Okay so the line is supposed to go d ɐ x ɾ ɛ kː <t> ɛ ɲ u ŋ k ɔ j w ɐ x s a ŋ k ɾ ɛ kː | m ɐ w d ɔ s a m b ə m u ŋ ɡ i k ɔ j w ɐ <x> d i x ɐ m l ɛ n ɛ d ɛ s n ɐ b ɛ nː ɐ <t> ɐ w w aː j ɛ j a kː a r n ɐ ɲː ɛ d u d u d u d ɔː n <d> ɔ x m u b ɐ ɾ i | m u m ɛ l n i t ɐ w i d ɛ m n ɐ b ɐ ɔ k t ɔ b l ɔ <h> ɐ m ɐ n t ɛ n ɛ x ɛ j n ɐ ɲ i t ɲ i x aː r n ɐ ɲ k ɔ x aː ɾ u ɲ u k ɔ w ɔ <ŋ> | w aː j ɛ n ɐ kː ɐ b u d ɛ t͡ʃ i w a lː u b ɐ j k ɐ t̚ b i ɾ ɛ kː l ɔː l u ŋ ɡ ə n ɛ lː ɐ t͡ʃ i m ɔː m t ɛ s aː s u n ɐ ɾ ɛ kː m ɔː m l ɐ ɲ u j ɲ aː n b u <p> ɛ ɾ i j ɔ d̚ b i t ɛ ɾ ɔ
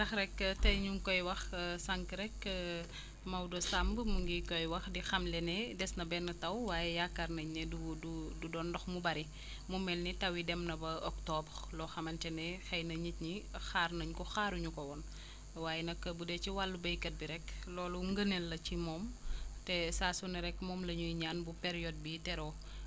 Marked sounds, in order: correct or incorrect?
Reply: correct, correct, correct, correct, incorrect, incorrect, correct

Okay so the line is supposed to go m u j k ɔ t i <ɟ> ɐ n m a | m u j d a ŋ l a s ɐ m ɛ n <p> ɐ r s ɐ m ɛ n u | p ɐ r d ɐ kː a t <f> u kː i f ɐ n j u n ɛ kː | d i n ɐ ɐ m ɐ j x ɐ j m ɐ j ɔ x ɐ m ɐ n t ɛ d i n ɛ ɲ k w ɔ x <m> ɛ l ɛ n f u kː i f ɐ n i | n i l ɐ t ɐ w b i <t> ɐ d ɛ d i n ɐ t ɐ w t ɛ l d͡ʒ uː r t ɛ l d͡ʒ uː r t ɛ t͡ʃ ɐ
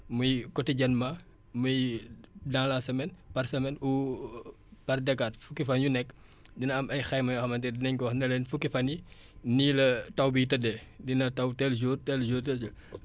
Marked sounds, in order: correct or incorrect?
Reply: correct, correct, correct, incorrect, correct

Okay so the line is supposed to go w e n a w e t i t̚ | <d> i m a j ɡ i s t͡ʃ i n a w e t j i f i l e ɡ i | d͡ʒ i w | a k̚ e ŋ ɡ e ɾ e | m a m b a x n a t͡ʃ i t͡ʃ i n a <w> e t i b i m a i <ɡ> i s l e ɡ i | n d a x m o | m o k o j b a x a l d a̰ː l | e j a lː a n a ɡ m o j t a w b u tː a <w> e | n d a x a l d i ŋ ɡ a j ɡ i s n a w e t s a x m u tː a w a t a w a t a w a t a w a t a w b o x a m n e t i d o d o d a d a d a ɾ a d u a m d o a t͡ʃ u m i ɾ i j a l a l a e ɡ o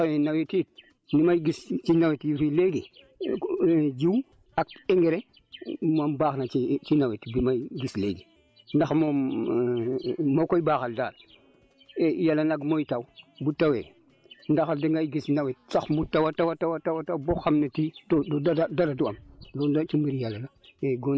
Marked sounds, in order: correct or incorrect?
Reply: incorrect, correct, correct, correct

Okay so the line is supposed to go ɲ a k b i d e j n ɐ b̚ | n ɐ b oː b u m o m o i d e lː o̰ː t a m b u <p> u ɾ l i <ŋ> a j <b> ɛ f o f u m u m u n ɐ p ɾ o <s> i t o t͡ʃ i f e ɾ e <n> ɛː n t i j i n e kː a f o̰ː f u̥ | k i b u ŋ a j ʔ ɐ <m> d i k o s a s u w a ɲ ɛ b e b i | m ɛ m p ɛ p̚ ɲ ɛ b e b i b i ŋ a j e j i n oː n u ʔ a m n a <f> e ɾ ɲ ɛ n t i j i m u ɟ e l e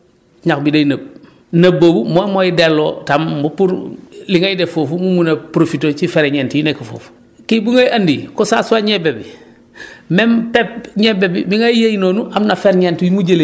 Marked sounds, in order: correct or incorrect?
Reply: correct, correct, incorrect, incorrect, incorrect, incorrect, correct

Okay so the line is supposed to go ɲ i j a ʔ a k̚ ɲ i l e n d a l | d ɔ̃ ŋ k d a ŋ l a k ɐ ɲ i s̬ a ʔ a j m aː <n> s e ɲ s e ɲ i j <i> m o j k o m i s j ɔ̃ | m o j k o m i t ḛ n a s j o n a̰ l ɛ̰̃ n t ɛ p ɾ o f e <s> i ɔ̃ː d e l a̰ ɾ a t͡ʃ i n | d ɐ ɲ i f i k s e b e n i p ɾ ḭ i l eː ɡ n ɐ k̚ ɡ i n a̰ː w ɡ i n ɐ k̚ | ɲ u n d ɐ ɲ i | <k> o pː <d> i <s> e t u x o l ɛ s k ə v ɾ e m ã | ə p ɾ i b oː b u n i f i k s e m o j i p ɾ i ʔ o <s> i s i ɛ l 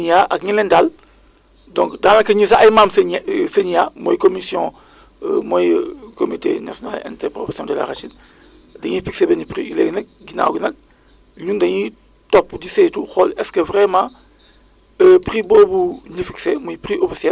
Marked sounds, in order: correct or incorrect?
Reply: incorrect, incorrect, correct, incorrect, correct, correct, incorrect

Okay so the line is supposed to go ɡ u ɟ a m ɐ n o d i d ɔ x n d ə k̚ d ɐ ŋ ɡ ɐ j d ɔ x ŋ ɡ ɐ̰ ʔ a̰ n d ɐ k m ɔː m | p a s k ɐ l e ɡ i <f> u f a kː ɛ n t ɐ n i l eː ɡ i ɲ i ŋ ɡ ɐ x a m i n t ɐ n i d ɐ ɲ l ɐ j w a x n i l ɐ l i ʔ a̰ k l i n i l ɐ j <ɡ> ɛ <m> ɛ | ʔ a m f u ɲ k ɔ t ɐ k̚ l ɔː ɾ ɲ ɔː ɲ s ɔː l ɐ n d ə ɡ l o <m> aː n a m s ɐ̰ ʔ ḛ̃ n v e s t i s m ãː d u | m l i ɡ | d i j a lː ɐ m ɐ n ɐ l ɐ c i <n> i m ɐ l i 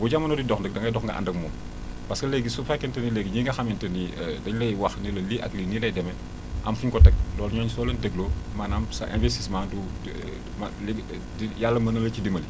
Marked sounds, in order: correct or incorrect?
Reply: incorrect, incorrect, correct, correct, incorrect

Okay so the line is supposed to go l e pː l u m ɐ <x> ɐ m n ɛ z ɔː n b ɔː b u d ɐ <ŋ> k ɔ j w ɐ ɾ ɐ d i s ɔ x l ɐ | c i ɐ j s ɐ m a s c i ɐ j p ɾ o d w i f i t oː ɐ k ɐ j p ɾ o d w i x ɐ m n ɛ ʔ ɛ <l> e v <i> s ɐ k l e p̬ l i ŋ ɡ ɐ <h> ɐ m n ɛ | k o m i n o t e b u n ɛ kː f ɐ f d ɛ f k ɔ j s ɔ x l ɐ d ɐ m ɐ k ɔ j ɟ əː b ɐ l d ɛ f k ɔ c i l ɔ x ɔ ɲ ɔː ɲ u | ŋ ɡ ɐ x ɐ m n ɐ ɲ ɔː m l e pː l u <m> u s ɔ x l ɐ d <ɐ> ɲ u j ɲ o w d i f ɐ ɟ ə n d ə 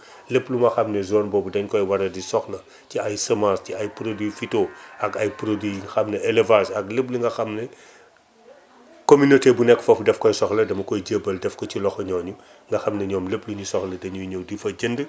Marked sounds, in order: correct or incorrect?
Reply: correct, incorrect, correct, incorrect, incorrect, incorrect, correct

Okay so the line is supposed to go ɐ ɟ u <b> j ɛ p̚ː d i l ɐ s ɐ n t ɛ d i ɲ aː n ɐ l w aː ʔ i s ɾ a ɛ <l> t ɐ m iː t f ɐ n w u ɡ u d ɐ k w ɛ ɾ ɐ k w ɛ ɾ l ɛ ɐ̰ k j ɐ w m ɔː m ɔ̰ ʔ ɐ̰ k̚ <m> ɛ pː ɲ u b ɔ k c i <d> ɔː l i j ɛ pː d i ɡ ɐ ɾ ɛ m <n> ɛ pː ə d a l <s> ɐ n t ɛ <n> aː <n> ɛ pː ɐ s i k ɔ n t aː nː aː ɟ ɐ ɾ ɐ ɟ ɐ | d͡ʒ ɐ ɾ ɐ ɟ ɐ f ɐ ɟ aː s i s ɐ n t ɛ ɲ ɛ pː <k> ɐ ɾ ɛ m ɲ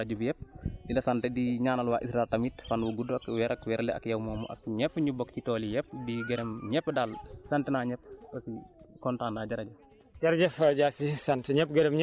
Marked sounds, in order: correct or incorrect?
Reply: correct, correct, incorrect, incorrect, incorrect, correct, correct, incorrect, incorrect

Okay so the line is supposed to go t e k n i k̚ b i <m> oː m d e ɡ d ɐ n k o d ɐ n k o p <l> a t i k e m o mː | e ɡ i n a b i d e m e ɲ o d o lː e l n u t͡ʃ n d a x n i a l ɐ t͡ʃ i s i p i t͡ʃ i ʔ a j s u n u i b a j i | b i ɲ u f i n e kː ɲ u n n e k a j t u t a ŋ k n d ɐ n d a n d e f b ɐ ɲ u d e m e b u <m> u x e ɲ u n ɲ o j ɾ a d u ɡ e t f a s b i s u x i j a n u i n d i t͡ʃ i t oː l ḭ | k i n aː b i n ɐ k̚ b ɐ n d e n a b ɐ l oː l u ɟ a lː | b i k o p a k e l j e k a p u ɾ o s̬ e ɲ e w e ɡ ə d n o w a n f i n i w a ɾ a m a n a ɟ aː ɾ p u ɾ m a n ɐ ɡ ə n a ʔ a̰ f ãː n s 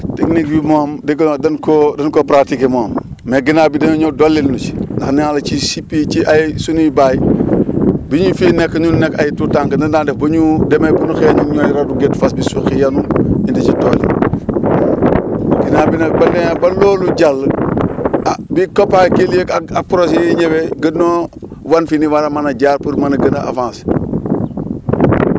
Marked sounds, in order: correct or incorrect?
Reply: correct, incorrect, incorrect

